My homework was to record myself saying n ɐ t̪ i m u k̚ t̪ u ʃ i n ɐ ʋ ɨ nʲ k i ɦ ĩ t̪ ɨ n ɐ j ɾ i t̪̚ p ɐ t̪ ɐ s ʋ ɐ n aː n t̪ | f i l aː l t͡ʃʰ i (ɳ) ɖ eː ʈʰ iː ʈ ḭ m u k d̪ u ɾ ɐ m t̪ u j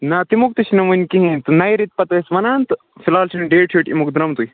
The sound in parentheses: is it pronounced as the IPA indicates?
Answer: no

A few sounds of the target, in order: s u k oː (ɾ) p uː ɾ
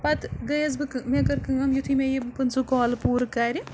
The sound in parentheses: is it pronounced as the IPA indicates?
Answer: no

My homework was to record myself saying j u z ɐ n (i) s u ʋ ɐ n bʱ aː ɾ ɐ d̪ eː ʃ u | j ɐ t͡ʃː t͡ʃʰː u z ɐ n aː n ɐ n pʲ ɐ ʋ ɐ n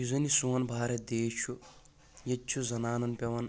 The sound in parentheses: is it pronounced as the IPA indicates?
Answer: yes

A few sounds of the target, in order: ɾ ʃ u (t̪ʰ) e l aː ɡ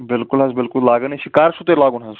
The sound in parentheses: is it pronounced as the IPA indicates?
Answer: no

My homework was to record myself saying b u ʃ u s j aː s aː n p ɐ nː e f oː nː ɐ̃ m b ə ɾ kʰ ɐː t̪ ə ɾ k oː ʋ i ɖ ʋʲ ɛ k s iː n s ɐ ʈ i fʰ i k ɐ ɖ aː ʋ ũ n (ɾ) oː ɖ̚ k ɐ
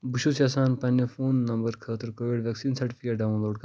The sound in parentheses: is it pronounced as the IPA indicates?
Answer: no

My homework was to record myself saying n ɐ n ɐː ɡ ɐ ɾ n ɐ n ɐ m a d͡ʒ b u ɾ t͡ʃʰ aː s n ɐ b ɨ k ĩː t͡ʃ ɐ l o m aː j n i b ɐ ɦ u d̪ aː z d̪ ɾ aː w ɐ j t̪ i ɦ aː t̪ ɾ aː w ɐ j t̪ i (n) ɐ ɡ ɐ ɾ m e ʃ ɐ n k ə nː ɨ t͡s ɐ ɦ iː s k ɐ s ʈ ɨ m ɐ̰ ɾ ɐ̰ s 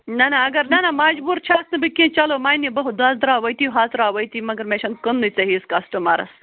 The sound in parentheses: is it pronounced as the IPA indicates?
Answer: no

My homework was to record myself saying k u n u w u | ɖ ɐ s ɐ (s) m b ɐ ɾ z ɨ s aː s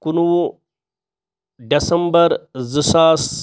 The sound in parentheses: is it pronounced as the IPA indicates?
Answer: no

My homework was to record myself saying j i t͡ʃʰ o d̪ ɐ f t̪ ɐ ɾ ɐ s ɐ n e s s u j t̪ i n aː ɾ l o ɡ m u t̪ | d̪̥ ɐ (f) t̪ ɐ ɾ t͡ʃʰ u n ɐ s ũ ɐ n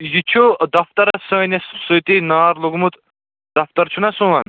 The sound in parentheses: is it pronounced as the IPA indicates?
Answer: yes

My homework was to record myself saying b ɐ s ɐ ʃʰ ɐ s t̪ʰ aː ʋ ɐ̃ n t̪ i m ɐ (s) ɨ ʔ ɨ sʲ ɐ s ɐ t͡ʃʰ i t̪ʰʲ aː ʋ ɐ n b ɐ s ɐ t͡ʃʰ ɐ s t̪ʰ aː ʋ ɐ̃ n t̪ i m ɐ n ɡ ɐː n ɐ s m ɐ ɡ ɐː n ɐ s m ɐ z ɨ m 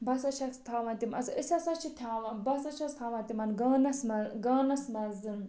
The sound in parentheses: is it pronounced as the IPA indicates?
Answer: yes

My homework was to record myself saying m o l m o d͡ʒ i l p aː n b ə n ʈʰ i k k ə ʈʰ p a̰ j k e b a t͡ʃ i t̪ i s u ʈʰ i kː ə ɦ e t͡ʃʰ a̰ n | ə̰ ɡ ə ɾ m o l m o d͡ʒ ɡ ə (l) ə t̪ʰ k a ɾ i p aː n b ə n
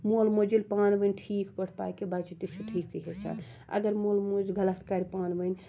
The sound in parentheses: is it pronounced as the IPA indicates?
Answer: yes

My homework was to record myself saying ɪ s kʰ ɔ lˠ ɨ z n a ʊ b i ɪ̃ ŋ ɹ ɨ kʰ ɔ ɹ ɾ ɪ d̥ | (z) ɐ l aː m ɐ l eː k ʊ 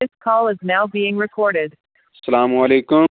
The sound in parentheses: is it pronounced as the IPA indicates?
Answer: no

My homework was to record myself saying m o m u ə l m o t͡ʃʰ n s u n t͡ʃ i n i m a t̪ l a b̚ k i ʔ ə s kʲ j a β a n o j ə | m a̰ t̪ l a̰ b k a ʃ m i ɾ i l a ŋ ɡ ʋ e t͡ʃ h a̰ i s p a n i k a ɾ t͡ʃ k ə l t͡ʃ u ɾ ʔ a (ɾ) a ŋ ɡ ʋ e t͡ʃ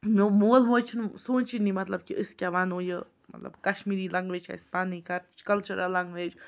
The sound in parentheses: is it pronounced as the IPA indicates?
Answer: no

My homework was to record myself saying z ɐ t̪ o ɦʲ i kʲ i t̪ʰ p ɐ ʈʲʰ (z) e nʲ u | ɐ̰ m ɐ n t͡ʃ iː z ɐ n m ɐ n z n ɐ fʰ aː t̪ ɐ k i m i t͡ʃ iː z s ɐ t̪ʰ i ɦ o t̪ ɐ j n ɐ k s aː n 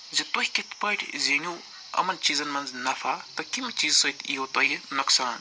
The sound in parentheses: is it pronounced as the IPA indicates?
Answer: yes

